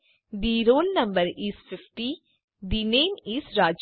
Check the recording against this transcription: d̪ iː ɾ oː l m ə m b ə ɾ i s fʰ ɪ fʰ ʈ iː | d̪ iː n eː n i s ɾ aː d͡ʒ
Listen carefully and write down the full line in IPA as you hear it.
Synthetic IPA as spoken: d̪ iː ɾ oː l n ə m b ə ɾ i s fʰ ɪ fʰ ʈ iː | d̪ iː n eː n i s ɾ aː d͡ʒ

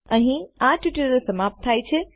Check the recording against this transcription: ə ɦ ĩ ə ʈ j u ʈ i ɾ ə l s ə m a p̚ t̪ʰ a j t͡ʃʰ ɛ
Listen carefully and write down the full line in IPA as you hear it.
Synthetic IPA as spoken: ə ɦ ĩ a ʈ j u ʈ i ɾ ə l s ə m a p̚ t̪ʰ a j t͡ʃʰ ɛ

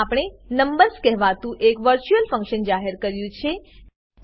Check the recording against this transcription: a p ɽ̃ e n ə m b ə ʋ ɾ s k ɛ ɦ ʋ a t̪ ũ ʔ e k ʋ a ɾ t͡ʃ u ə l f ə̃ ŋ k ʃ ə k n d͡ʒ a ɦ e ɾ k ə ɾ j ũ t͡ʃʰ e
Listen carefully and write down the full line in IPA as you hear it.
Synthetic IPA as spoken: a p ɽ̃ e n ə m b ə ɾ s k ɛ ɦ ʋ a t̪ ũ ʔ e k ʋ ə ɾ t͡ʃ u ə l f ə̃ ŋ k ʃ ə n d͡ʒ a ɦ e ɾ k ə ɾ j ũ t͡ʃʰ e

